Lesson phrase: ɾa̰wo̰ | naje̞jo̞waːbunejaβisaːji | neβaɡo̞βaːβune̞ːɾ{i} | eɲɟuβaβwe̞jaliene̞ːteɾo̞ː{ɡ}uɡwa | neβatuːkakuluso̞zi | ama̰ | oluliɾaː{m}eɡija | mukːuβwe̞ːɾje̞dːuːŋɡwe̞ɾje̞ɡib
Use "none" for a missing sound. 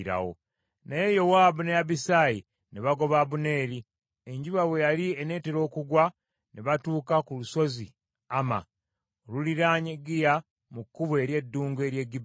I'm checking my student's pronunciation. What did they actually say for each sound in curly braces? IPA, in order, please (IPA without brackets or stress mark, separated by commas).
i, k, ɲ